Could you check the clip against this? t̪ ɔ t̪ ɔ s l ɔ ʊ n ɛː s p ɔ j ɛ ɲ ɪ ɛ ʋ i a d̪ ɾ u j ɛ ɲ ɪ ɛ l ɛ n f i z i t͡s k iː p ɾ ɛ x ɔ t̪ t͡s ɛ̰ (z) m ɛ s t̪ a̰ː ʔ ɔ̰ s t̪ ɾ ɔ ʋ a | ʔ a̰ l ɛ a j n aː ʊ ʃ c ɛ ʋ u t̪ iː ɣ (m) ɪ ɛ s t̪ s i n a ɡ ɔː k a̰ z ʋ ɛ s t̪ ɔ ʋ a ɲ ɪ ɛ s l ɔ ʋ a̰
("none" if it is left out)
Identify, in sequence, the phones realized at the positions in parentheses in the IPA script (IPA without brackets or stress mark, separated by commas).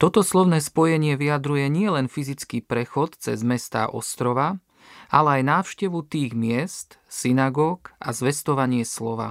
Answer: z, m